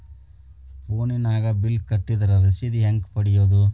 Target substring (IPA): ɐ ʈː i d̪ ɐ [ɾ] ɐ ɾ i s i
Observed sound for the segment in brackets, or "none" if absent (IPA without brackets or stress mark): ɾ